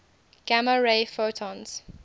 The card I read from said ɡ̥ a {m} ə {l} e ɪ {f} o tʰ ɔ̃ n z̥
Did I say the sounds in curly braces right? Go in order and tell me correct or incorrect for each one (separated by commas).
correct, incorrect, correct